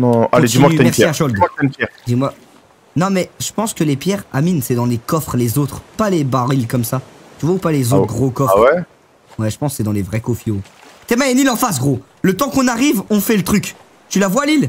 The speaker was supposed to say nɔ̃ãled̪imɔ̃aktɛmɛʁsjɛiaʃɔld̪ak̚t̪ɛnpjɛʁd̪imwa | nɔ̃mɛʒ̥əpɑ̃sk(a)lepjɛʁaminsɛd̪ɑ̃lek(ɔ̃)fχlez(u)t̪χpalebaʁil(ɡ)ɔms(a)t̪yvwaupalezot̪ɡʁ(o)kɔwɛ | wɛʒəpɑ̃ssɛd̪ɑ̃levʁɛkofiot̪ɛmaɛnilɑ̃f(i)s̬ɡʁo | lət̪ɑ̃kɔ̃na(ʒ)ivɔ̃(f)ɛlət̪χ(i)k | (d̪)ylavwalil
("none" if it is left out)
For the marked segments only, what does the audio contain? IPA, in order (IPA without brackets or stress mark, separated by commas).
ə, ɔ, o, k, a, o, a, ʁ, f, y, t̪